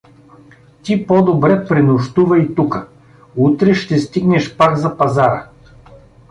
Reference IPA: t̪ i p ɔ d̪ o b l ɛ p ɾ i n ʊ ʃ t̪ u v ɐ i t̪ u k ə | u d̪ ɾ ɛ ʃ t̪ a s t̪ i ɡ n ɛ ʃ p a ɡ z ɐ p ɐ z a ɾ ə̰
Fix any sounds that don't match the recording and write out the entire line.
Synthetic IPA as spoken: t̪ i p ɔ d̪ o b ɾ ɛ p ɾ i n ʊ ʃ t̪ u v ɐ i t̪ u k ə | u t̪ ɾ ɛ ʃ t̪ ɛ s t̪ i ɡ n ɛ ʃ p a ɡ z ɐ p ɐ z a ɾ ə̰